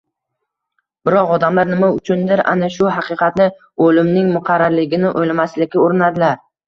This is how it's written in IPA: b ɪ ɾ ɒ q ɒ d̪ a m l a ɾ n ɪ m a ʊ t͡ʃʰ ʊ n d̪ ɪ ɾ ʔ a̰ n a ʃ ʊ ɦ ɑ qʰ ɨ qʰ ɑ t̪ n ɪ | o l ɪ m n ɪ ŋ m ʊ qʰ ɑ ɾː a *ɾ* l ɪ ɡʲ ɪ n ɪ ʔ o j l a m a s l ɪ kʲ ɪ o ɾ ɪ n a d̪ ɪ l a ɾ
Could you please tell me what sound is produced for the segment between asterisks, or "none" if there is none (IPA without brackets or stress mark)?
ɾ